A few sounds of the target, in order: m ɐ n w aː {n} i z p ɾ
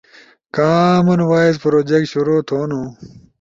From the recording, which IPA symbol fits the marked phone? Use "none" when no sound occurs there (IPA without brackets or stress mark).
none